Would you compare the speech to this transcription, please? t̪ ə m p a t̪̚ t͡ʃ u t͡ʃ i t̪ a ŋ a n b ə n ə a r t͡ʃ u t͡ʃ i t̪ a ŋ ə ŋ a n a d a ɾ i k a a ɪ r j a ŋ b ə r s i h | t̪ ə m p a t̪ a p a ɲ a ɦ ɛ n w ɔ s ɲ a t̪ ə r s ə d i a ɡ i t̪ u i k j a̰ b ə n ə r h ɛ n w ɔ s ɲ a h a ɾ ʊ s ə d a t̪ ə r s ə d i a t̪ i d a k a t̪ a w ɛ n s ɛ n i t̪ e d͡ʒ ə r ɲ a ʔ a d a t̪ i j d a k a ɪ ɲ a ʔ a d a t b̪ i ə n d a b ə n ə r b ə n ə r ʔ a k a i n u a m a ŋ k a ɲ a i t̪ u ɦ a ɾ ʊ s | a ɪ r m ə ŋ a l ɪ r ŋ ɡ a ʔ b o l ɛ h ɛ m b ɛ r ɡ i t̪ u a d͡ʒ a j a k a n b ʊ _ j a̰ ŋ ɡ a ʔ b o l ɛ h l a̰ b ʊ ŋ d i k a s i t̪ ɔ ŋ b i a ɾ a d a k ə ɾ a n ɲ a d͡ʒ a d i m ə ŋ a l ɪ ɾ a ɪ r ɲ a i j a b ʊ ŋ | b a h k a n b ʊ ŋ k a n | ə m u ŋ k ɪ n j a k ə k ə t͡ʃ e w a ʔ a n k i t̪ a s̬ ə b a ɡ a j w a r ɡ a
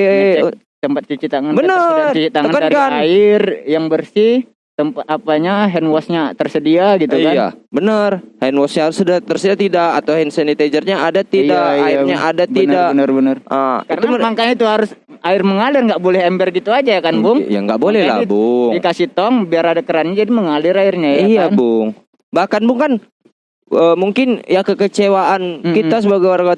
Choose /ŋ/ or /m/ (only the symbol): ŋ